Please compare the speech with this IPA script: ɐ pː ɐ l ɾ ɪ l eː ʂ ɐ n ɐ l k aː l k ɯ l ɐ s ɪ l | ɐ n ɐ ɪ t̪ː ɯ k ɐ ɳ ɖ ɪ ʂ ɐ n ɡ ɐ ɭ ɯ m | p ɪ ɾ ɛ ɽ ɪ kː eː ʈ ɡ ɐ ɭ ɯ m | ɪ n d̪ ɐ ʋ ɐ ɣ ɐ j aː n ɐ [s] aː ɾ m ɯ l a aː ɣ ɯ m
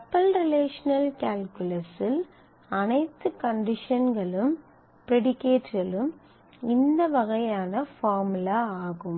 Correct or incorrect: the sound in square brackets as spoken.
incorrect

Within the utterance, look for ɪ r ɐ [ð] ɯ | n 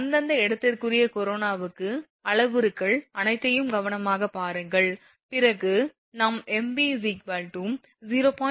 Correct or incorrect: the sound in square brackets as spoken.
incorrect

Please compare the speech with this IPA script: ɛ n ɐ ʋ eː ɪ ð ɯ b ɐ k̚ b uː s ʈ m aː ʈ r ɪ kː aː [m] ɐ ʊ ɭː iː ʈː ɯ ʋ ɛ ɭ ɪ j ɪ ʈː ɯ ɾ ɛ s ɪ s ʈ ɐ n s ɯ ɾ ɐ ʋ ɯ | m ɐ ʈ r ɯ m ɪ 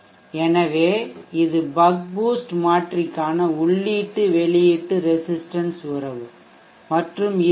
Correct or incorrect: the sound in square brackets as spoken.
incorrect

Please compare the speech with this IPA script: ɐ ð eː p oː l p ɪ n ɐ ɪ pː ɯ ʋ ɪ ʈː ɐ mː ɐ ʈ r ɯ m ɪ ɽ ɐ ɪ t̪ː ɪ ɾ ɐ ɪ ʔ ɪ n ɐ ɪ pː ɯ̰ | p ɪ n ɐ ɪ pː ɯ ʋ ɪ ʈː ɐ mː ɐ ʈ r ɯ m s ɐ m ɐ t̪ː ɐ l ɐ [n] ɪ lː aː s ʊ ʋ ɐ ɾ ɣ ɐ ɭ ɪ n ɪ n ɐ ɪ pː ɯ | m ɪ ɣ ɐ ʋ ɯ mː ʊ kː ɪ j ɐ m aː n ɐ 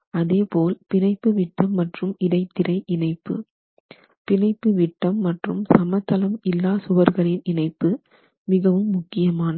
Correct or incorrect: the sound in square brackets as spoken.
incorrect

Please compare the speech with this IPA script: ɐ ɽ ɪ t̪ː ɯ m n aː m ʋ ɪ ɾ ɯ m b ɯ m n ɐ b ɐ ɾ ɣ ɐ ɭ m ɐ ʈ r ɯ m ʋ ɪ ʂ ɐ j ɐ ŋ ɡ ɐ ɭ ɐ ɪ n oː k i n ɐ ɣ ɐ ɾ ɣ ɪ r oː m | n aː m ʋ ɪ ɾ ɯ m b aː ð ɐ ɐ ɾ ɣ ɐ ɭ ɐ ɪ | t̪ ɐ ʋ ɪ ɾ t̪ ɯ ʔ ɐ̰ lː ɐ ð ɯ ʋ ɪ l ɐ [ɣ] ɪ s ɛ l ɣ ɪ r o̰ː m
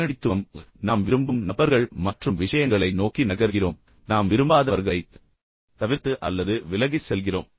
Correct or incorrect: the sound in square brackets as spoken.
correct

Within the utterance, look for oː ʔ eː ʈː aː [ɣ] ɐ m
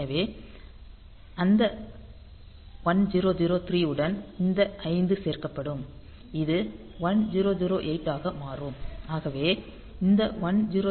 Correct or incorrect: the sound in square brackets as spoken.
correct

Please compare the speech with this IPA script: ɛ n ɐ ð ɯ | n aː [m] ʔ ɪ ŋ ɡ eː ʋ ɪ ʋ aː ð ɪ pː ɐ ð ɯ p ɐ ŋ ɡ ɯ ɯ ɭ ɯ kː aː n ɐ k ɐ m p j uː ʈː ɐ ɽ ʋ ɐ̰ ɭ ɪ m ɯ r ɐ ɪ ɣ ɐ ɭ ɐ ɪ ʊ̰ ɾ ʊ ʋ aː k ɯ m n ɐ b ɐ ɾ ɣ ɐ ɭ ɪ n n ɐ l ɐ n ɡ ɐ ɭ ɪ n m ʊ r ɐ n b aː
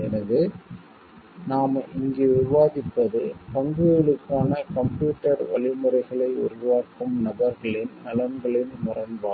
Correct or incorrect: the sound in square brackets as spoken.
correct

